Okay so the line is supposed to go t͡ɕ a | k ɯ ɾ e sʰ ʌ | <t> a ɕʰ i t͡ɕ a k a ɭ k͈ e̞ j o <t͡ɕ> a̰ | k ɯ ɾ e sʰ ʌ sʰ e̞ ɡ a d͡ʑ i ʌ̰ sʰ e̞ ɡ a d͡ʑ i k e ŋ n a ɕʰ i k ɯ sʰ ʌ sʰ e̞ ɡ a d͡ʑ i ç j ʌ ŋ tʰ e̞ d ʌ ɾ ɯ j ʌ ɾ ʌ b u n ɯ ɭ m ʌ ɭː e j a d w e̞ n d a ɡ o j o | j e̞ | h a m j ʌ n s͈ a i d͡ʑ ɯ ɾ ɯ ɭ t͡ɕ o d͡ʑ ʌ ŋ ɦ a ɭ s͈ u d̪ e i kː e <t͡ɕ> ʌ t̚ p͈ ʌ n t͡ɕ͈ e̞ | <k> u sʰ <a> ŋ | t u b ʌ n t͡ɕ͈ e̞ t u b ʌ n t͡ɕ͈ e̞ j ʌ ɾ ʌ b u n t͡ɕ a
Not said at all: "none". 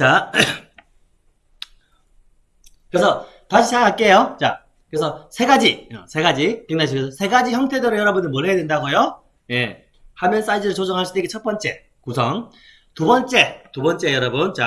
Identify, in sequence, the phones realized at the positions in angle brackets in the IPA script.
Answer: t, t͡ɕ, t͡ɕʰ, k, ʌ

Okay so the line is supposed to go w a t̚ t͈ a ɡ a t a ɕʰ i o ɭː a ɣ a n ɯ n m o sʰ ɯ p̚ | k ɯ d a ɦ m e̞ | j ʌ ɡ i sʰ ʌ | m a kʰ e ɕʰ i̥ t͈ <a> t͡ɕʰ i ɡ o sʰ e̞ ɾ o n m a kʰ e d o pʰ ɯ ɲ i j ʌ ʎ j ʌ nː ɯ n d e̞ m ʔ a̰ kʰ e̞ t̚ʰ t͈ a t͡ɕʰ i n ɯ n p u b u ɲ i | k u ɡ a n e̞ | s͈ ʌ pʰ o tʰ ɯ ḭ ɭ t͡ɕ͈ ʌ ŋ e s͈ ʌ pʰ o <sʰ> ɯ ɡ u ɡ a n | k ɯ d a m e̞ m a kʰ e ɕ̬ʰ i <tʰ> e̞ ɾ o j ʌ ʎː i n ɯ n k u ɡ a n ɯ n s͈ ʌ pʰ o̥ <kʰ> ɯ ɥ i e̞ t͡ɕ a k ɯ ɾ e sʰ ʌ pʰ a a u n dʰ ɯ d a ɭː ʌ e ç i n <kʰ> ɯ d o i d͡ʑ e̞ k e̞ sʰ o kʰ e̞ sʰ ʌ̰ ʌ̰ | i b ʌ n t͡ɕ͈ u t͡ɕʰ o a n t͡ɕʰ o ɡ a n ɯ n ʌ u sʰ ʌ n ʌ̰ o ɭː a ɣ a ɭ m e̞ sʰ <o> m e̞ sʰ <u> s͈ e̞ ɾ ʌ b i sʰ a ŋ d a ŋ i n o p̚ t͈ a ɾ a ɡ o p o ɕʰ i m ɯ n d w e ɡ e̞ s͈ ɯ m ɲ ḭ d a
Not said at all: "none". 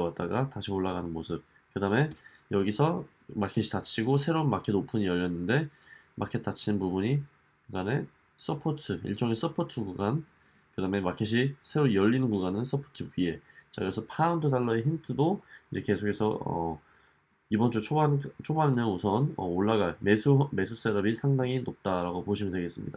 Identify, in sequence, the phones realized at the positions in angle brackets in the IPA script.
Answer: a, tʰ, sʰ, tʰ, tʰ, u, u

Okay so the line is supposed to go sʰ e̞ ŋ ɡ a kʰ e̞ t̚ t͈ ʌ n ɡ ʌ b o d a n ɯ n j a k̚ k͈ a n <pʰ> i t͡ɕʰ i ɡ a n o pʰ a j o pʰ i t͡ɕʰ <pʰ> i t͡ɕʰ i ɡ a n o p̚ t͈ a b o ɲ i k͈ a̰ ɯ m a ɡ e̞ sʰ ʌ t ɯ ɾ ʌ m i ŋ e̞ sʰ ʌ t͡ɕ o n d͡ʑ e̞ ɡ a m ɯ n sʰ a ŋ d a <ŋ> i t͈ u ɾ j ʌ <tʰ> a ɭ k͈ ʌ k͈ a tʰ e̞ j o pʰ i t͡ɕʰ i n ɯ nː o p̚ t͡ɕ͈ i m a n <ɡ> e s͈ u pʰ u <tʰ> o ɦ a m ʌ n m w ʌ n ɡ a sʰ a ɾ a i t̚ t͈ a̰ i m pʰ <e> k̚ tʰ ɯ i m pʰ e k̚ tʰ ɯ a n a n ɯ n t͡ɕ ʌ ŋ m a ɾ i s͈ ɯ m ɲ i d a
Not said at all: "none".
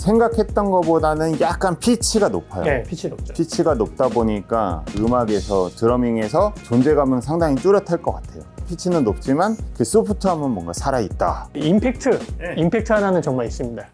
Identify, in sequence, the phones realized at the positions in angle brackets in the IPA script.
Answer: pʰ, pʰ, ŋ, tʰ, k, tʰ, e

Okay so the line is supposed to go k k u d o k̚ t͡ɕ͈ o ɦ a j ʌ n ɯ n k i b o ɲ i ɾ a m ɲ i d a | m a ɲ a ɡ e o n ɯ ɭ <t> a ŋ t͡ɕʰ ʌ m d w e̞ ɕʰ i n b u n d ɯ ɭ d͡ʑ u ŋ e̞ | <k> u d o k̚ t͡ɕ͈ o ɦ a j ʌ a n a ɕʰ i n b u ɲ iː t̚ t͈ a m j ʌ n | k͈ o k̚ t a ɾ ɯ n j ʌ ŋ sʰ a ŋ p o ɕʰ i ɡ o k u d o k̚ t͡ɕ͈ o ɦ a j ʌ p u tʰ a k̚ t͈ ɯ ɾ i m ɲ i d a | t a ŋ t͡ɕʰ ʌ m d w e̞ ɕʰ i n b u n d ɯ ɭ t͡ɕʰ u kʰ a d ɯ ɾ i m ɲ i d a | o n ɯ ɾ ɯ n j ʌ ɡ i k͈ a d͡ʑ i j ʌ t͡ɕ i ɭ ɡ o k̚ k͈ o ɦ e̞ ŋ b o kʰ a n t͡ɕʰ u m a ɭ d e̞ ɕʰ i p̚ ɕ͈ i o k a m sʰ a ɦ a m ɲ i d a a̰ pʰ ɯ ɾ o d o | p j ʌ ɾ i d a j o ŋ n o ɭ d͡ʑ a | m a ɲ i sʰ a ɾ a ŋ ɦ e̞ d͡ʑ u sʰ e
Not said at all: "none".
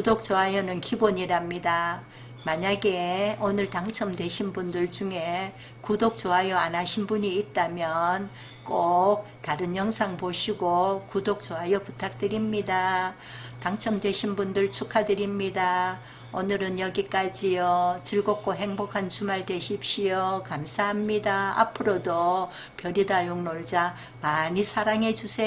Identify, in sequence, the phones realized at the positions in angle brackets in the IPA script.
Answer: t, k

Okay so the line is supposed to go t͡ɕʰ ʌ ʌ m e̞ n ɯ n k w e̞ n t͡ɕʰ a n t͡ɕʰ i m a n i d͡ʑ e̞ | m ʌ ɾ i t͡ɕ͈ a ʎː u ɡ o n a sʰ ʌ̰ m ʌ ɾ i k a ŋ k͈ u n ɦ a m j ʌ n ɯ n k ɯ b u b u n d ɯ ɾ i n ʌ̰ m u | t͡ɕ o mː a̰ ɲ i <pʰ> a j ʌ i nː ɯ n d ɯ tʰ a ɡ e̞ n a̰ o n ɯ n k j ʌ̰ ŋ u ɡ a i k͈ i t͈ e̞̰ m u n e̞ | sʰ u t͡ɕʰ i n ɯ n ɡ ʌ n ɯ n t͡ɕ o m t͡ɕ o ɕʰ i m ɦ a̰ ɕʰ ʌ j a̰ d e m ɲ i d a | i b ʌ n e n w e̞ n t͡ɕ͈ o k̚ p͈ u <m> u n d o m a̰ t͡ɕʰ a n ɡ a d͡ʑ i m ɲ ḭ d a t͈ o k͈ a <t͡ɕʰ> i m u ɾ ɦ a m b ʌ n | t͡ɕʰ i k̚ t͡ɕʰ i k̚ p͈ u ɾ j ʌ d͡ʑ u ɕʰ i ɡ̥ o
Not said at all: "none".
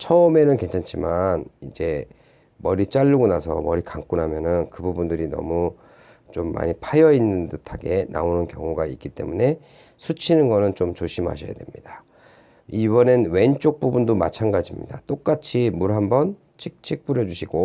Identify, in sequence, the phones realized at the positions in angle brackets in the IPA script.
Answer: pʰ, b, t͡ɕʰ

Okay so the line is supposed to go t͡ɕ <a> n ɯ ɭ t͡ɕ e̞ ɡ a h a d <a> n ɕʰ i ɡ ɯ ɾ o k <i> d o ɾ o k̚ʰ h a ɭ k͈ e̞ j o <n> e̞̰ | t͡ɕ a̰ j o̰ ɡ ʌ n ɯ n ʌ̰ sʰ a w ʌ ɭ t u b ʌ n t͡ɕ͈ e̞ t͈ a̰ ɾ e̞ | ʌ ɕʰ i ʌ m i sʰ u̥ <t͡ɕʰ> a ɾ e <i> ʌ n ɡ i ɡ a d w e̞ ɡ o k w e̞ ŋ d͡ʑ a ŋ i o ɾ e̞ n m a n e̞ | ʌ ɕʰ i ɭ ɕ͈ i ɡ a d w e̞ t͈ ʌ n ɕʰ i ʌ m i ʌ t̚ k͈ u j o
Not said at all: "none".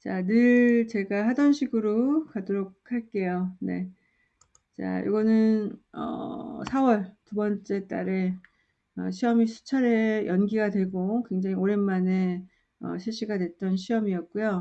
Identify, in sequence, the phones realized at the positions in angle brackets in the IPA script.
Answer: a, ʌ, a, n, t͡ɕʰ, j

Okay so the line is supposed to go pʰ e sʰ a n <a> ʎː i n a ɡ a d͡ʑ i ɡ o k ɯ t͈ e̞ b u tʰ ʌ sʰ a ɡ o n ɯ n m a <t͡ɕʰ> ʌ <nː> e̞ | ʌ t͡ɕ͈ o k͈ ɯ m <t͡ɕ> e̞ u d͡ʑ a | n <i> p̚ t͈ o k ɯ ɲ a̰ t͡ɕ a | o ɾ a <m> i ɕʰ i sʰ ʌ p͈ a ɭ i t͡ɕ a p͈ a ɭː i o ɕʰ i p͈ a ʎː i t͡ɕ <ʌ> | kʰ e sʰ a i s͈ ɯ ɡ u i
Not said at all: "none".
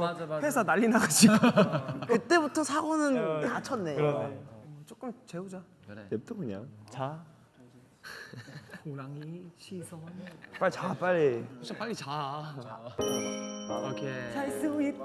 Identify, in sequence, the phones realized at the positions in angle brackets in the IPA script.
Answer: a, t͡ɕʰ, nː, t͡ɕ, e, ŋ, a

